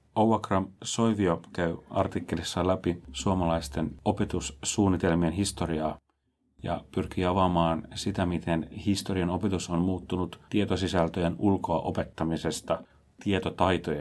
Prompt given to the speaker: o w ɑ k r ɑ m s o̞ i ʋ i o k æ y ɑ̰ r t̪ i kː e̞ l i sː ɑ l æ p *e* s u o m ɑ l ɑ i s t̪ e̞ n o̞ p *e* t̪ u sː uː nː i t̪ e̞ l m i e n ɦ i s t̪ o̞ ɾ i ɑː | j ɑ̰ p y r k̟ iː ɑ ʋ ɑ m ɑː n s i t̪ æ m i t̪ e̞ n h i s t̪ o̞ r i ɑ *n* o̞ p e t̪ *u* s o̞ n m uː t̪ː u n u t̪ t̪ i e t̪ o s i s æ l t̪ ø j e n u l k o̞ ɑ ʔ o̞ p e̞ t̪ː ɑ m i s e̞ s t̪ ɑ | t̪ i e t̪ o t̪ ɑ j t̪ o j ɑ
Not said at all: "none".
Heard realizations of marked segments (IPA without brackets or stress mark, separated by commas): i, e, n, u